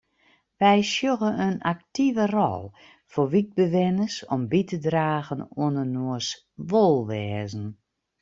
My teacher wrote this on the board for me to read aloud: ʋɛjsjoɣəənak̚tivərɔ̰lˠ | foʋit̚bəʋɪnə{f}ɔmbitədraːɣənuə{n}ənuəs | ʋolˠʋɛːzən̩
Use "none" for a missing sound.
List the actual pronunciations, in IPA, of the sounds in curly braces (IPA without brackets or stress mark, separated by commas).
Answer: s, n